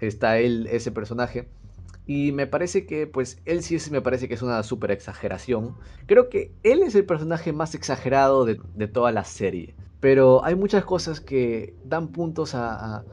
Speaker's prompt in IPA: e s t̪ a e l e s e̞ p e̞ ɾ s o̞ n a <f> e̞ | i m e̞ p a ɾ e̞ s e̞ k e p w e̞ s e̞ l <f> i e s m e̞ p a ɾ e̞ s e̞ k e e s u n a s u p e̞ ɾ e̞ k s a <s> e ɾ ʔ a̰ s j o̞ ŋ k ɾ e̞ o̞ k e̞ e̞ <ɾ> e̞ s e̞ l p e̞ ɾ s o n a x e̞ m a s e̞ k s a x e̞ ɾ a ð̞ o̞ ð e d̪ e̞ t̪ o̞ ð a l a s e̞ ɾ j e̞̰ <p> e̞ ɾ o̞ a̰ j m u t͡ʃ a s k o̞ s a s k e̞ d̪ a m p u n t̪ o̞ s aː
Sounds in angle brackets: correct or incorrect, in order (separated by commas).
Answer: incorrect, incorrect, incorrect, incorrect, correct